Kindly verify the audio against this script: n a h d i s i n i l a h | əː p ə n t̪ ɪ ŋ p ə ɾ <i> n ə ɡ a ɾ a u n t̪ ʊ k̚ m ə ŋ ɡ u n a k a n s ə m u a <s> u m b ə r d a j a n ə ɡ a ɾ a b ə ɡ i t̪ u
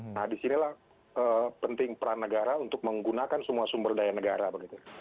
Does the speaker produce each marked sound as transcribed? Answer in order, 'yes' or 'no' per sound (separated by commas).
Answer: no, yes